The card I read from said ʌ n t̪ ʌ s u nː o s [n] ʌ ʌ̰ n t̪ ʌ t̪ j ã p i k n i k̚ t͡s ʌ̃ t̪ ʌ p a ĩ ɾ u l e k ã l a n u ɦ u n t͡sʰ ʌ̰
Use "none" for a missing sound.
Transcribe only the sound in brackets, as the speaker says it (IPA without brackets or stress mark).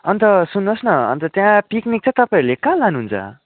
n